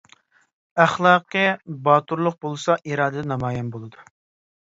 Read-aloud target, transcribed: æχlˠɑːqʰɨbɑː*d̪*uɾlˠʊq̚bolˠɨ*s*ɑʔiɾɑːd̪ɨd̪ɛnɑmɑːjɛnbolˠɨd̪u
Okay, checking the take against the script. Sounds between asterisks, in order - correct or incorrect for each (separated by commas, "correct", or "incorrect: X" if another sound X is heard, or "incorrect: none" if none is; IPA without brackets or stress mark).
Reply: incorrect: t̪, correct